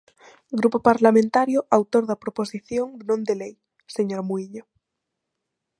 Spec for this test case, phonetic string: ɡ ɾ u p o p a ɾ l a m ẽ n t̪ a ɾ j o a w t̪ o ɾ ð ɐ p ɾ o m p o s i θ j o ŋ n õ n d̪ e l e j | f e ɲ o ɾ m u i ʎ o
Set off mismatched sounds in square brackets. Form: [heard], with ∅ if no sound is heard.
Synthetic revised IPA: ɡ ɾ u p o p a ɾ l a m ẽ n t̪ a ɾ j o a w t̪ o ɾ ð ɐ p ɾ o [∅] p o s i θ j o ŋ n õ n d̪ e l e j | [s] e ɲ o ɾ m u i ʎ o